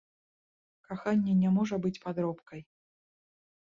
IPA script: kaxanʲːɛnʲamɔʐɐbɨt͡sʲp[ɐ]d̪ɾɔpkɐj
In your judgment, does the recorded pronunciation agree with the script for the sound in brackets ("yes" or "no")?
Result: no